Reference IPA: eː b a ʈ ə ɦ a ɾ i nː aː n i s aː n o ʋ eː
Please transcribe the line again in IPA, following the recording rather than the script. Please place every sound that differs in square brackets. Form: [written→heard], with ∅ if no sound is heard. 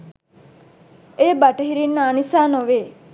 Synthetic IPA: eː b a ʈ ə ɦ [a→i] ɾ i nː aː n i s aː n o ʋ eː